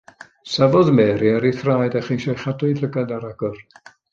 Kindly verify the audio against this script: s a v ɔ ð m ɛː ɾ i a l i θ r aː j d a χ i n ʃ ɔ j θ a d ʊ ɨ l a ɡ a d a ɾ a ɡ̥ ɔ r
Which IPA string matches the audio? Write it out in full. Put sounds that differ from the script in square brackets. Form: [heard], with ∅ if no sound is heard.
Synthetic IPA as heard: s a v ɔ ð m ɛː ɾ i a [ɾ] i θ r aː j d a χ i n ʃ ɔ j [χ] a d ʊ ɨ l [ə] ɡ a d a ɾ a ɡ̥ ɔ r